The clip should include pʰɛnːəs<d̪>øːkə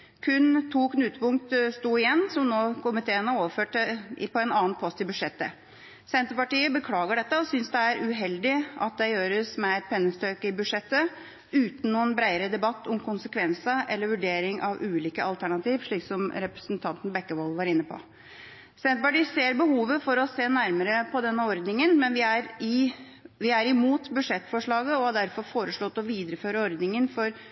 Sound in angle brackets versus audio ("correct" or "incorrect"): incorrect